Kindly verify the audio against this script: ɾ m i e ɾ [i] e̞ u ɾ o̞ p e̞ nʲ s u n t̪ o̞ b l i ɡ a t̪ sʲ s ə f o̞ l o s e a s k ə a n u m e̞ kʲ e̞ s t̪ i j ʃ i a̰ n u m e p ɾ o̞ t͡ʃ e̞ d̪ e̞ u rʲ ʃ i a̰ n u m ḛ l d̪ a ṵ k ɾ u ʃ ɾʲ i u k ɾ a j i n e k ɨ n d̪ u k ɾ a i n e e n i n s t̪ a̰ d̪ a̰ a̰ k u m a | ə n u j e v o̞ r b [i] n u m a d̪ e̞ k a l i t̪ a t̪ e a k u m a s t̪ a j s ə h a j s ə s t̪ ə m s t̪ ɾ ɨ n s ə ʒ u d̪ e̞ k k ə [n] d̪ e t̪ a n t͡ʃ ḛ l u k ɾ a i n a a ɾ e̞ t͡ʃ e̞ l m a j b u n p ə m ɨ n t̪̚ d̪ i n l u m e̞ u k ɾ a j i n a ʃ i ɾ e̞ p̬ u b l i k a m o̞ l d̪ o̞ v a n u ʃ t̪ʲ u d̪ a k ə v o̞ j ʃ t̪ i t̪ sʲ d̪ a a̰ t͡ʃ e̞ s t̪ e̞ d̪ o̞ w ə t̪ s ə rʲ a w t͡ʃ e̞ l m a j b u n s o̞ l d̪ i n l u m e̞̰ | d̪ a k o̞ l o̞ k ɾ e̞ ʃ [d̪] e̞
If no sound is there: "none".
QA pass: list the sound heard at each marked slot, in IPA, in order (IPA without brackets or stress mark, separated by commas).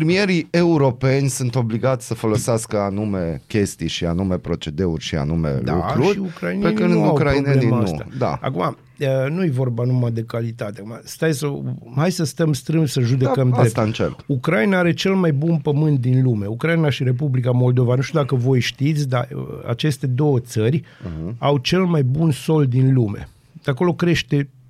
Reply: i, a, m, t̪